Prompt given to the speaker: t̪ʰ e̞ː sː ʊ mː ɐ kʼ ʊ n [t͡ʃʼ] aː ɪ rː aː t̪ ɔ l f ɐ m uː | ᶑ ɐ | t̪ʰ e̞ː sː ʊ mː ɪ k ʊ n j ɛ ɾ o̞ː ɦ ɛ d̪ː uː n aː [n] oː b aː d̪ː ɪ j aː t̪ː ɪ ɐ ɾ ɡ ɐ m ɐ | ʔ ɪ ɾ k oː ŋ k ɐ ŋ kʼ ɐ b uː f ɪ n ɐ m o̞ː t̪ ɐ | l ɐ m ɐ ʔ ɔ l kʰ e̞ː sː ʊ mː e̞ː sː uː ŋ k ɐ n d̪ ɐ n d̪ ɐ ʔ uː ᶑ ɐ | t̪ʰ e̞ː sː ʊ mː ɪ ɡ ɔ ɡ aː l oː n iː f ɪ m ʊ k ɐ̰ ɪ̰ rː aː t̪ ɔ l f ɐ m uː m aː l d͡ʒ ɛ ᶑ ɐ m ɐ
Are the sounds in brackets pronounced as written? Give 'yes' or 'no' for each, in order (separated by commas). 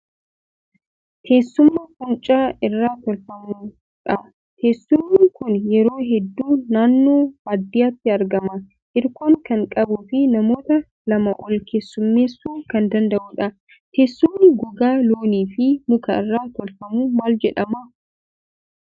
yes, no